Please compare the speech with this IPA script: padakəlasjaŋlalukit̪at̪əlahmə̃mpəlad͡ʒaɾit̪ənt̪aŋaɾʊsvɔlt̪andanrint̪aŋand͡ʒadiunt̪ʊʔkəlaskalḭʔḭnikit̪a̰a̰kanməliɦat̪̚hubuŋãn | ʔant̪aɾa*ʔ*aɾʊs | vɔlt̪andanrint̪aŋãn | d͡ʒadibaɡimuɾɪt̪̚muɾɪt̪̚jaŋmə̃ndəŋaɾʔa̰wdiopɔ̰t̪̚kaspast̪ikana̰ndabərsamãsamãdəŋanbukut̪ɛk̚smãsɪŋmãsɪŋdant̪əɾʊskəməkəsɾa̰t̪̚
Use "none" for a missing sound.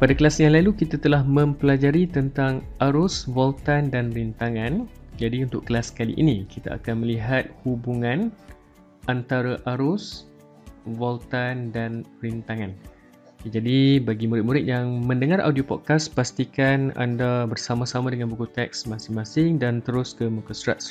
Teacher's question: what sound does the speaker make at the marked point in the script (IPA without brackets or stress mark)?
ʔ